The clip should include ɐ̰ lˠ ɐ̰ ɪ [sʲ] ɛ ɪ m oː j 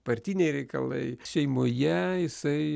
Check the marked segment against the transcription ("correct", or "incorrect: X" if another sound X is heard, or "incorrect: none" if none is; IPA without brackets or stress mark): incorrect: ʃʲ